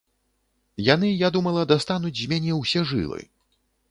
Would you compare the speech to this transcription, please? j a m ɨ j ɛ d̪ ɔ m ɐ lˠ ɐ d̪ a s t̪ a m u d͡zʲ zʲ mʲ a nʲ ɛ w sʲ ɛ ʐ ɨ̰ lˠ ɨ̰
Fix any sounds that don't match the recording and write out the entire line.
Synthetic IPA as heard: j a n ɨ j a d̪ u m ɐ lˠ ɐ d̪ a s t̪ a n u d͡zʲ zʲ mʲ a nʲ ɛ w sʲ ɛ ʐ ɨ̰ lˠ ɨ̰

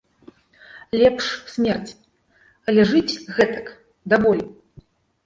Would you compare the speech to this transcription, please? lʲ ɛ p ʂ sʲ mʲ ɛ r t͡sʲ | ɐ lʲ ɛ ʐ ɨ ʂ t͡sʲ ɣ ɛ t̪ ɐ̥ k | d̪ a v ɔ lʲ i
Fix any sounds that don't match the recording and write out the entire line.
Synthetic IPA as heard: lʲ ɛ p ʂ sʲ mʲ ɛ r t͡sʲ | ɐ lʲ ɛ ʐ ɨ t͡sʲ ɣ ɛ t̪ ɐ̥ k | d̪ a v ɔ lʲ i

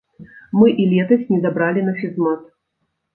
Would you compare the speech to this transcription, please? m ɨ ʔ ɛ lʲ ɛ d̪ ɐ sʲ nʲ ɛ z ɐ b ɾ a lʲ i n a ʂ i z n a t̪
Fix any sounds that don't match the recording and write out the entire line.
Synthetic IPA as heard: m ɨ ʔ i lʲ ɛ t̪ ɐ sʲ nʲ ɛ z a b ɾ a lʲ i n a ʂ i z m a t̪

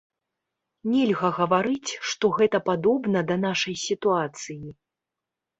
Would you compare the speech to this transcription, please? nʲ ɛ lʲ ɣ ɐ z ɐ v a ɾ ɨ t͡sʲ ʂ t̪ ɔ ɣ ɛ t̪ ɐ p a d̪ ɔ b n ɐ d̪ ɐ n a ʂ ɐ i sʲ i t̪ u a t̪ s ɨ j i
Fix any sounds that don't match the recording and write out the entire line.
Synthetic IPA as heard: nʲ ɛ lʲ ɣ ɐ ɣ ɐ v a ɾ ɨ t͡sʲ ʂ t̪ ɔ ɣ ɛ t̪ ɐ p a d̪ ɔ b n ɐ d̪ ɐ n a ʂ ɐ j sʲ i t̪ u a t̪ s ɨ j i

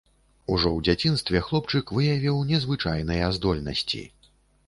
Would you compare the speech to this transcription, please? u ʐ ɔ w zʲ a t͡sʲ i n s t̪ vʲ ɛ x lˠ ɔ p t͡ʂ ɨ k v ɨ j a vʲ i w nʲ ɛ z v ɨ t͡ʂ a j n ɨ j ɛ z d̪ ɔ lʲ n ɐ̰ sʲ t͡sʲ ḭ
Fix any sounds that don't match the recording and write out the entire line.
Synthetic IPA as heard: u ʐ ɔ w d͡zʲ a t͡sʲ i n s t̪ vʲ ɛ x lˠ ɔ p t͡ʂ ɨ k v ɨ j a vʲ i w nʲ ɛ z v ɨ t͡ʂ a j n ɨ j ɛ z d̪ ɔ lʲ n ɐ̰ sʲ t͡sʲ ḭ

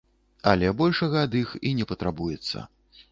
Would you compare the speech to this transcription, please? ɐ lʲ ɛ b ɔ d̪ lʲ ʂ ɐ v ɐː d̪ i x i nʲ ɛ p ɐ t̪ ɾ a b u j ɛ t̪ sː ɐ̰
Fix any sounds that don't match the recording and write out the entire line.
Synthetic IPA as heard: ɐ lʲ ɛ b ɔ lʲ ʂ ɐ ɣ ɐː d̪ i x i nʲ ɛ p ɐ t̪ ɾ a b u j ɛ t̪ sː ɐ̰

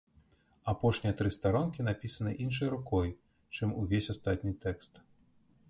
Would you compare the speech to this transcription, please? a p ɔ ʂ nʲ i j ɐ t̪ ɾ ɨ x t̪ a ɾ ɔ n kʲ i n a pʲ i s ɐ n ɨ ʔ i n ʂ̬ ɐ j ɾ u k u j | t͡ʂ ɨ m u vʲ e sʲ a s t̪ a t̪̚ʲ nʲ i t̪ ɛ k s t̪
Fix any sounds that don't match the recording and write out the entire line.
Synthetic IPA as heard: a p ɔ ʂ nʲ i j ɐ t̪ ɾ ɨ s t̪ a ɾ ɔ n kʲ i n a pʲ i s ɐ n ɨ ʔ i n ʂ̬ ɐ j ɾ u k ɔ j | t͡ʂ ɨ m u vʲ e sʲ a s t̪ a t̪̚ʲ nʲ i t̪ ɛ k s t̪

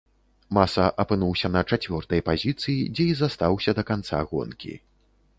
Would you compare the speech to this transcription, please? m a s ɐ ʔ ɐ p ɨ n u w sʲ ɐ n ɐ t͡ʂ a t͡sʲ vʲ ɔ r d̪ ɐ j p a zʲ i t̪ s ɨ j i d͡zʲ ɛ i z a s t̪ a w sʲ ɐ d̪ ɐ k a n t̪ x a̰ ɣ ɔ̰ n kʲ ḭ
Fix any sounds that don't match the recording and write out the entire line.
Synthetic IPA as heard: m a s ɐ ʔ ɐ p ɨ n u w sʲ ɐ n ɐ t͡ʂ a t͡sʲ vʲ ɔ r t̪ ɐ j p a zʲ i t̪ s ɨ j i d͡zʲ ɛ i z a s t̪ a w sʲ ɐ d̪ ɐ k a n t̪ s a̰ ɣ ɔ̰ n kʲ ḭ

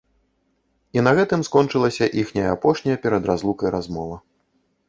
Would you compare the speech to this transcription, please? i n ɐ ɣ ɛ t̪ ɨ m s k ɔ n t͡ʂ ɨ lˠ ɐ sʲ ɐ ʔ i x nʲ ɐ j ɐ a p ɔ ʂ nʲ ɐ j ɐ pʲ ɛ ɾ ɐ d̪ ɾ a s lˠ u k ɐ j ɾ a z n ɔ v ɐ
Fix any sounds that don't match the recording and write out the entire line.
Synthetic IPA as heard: i n ɐ ɣ ɛ t̪ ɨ m s k ɔ n t͡ʂ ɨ lˠ ɐ sʲ ɐ ʔ i x nʲ ɐ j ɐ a p ɔ ʂ nʲ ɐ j ɐ pʲ ɛ ɾ ɐ d̪ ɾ a z lˠ u k ɐ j ɾ a z m ɔ v ɐ

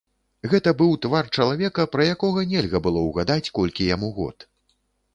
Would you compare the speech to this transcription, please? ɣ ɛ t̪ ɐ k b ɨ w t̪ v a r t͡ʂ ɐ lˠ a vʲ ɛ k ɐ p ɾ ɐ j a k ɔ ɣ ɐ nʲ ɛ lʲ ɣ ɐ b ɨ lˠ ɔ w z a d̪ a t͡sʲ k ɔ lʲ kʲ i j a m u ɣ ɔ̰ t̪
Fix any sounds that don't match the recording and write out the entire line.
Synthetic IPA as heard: ɣ ɛ t̪ ɐ b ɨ w t̪ v a r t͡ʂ ɐ lˠ a vʲ ɛ k ɐ p ɾ ɐ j a k ɔ ɣ ɐ nʲ ɛ lʲ ɣ ɐ b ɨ lˠ ɔ w ɣ a d̪ a t͡sʲ k ɔ lʲ kʲ i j a m u ɣ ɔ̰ t̪

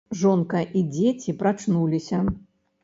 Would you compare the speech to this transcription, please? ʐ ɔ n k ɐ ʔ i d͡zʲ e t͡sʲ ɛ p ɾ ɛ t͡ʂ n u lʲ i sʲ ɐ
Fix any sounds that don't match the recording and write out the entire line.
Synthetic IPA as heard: ʐ ɔ n k ɐ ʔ i d͡zʲ e t͡sʲ i p ɾ a t͡ʂ n u lʲ i sʲ ɐ

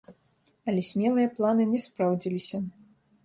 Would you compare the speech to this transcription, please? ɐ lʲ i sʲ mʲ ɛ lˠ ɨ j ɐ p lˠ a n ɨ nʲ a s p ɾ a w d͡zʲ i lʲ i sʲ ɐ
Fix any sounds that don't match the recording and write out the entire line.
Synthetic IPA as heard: ɐ lʲ ɛ sʲ mʲ ɛ lˠ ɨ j ɐ p lˠ a n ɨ nʲ ɛ s p ɾ a w d͡zʲ i lʲ i sʲ ɐ

